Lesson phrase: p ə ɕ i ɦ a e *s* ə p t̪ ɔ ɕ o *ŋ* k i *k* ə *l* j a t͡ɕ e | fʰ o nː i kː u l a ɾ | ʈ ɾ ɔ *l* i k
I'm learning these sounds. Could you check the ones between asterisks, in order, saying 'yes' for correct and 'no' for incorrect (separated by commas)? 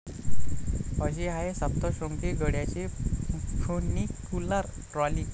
yes, yes, no, no, yes